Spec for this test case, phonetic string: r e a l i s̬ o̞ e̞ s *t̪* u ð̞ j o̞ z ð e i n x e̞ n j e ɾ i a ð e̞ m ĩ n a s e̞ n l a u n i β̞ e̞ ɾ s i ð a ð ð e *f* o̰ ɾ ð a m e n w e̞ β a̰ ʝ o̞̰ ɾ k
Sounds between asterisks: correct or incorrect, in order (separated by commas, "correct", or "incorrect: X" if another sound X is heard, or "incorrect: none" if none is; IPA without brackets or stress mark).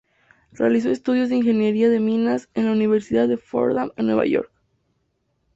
correct, correct